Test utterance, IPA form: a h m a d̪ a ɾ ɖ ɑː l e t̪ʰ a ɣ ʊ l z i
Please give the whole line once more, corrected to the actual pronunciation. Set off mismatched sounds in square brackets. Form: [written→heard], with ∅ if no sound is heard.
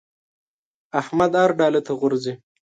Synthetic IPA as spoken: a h m a d̪ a ɾ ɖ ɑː l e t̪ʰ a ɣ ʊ [l→ɾ] z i